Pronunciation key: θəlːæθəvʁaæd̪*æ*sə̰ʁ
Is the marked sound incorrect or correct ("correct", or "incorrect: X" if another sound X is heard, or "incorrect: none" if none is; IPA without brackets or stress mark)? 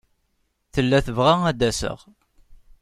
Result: correct